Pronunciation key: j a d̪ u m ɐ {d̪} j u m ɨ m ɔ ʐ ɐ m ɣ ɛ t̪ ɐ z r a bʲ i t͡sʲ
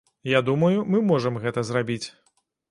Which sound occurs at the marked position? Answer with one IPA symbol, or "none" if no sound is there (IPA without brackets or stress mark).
none